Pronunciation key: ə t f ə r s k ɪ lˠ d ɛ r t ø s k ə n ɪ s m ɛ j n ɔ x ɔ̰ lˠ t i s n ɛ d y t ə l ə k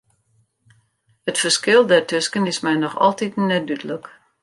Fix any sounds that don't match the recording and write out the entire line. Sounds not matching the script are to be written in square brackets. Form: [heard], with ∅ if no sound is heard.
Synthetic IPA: ə t f ə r s k ɪ lˠ d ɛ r t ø s k ə n ɪ s m ɛ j n ɔ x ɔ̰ lˠ t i [t] n ɛ d y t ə l ə k

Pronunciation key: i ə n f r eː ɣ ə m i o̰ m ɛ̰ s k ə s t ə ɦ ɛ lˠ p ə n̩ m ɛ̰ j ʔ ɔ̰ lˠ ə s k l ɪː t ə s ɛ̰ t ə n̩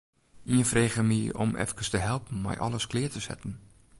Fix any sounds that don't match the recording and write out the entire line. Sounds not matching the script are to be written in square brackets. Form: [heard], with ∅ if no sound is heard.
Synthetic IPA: i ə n f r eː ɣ ə m i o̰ m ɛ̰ [f] k ə s t ə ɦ ɛ lˠ p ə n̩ m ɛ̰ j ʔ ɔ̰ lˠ ə s k l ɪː t ə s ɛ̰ t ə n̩

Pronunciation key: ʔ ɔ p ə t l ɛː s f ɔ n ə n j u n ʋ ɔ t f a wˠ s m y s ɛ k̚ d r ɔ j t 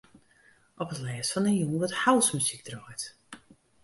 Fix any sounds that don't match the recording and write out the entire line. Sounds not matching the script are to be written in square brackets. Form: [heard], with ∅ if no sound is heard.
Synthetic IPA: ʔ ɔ p ə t l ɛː s f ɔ n ə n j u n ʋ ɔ t [h] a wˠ s m y s [i] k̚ d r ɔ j t

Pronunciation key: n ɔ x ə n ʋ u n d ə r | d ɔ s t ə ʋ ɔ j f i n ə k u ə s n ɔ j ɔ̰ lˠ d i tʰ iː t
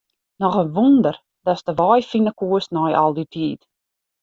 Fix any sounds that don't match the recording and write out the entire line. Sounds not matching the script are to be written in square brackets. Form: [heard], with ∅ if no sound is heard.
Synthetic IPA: n ɔ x ə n ʋ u n d ə r | d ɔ s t ə ʋ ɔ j f i n ə k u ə s n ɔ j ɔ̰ lˠ d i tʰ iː t

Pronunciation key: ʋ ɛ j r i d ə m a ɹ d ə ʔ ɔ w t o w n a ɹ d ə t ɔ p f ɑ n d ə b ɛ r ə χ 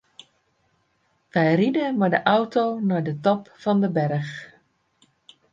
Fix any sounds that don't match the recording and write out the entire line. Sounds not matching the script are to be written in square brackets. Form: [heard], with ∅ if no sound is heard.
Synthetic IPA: ʋ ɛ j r i d ə m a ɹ d ə ʔ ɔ w t o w n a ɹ d ə t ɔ p f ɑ n d ə b ɛ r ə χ

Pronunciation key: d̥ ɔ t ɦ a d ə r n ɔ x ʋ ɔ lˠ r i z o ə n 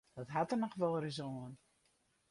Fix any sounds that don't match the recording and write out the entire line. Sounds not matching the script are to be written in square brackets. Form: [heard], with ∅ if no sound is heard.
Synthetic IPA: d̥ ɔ t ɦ a [t] ə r n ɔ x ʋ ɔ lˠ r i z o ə n

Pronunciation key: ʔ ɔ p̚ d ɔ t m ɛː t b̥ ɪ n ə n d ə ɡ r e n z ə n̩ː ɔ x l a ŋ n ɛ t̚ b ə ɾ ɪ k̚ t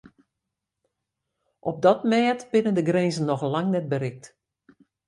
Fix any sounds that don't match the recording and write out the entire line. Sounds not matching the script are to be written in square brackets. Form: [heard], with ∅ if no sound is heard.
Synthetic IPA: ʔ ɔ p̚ d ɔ t m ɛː t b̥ ɪ n ə n d ə ɡ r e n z ə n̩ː ɔ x l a ŋ n ɛ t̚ b ə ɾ ɪ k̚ t

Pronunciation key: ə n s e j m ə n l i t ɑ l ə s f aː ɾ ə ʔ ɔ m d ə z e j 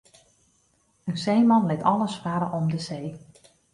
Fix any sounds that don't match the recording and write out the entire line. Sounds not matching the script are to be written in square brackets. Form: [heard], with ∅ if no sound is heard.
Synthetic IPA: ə n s e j m [ɑ] n l [ɪ] t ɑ l ə s f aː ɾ ə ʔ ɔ m d ə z e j

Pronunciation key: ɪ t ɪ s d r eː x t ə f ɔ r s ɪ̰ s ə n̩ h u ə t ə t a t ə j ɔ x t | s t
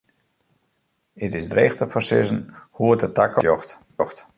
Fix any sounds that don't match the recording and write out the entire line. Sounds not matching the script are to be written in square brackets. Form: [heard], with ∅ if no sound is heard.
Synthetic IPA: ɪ t ɪ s d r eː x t ə f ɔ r s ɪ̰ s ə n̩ h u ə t ə t a [k] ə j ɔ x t | [x] t

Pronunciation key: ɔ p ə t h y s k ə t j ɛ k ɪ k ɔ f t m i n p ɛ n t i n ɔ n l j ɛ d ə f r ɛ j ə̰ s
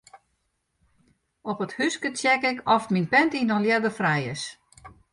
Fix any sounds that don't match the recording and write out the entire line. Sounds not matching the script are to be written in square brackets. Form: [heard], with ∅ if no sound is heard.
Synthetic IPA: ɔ p ə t h y s k ə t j ɛ k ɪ k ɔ f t m i n p ɛ n t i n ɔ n l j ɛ d ə f r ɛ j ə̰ s

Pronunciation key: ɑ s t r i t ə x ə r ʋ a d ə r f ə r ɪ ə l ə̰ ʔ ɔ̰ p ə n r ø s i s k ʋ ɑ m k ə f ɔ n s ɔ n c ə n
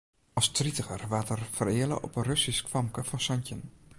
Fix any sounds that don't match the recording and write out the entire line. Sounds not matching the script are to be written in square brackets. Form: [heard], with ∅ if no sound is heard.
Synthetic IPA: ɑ s t r i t ə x ə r ʋ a [t] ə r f ə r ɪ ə l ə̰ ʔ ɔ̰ p ə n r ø s i s k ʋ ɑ m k ə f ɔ n s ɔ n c ə n

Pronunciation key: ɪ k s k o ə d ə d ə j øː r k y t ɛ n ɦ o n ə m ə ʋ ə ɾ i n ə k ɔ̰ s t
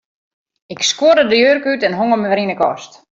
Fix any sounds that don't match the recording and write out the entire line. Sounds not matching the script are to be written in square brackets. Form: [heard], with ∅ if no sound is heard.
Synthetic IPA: ɪ k s k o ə d ə d ə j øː r k y t ɛ n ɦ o [ŋ] ə m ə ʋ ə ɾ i n ə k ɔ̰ s t

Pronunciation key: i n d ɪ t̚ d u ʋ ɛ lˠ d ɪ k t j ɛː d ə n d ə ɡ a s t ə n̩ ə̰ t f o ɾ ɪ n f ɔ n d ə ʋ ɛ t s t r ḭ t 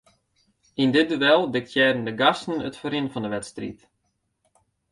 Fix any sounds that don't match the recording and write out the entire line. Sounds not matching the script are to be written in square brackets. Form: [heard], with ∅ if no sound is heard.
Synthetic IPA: i n d ɪ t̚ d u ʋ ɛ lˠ d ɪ k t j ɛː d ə n d ə ɡ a s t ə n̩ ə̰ t f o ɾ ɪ n f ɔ n d ə ʋ ɛ t s t r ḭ t

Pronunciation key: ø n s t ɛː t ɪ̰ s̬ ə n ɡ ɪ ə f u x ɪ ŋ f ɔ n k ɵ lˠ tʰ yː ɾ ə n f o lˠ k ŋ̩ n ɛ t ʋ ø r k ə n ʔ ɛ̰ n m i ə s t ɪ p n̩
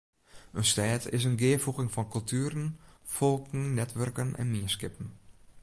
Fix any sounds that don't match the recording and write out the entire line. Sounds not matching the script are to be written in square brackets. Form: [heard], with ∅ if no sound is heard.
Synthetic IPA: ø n s t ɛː t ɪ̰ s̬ ə n ɡ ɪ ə f u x ɪ ŋ f ɔ n k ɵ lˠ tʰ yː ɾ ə n f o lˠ k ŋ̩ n ɛ t ʋ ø r k ə n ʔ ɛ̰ n m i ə s [k] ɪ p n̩

